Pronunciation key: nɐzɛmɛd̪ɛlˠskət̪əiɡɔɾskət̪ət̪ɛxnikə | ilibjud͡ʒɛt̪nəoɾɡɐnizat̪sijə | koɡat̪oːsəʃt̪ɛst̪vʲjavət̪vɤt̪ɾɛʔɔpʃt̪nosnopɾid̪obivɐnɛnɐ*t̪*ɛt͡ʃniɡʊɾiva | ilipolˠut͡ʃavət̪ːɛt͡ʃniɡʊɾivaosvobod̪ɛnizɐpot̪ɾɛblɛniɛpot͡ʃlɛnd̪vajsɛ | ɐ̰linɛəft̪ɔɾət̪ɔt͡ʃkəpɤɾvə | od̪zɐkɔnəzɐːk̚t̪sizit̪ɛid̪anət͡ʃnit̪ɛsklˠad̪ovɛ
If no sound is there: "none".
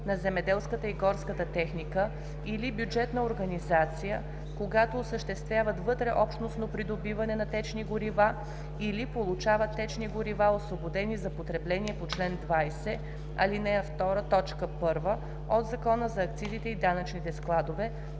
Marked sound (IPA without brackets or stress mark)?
t̪